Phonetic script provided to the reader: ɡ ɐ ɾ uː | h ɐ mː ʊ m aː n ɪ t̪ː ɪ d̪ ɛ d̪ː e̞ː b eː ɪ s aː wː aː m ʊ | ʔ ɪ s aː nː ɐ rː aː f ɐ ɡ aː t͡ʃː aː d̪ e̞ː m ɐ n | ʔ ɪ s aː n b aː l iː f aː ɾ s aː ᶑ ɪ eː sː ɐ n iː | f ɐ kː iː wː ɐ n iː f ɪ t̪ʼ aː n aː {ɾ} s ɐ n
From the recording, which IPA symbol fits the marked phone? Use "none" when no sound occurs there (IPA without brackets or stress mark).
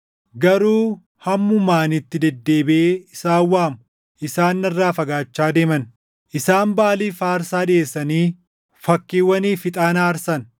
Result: ɾ